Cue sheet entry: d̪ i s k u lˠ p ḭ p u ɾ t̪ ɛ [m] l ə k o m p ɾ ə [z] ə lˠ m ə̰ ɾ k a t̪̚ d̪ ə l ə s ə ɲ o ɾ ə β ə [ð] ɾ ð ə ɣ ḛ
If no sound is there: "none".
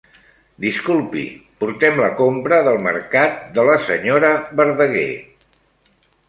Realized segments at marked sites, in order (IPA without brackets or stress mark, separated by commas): m, ð, none